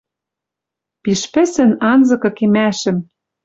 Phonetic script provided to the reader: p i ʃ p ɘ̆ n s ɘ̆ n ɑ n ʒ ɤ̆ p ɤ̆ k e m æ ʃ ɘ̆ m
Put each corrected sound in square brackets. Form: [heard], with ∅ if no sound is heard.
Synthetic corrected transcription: p i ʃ p ɘ̆ [∅] s ɘ̆ n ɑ n [z] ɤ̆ [k] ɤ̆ k e m æ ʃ ɘ̆ m